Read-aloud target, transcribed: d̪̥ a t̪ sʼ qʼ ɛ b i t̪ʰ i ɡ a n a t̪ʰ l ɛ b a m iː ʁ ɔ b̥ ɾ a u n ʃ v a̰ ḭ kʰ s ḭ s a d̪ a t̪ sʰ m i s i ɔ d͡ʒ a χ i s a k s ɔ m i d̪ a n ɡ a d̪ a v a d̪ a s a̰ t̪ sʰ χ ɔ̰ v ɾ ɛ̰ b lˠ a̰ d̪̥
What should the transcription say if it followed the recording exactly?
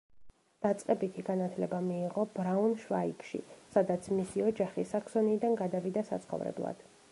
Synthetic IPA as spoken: d̪̥ a t̪ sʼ qʼ ɛ b i t̪ʰ i ɡ a n a t̪ʰ l ɛ b a m iː ʁ ɔ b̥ ɾ a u n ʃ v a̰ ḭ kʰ ʃ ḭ s a d̪ a t̪ sʰ m i s i ɔ d͡ʒ a χ i s a k s ɔ n i d̪ a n ɡ a d̪ a v i d̪ a s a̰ t̪ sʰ χ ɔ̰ v ɾ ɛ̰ b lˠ a̰ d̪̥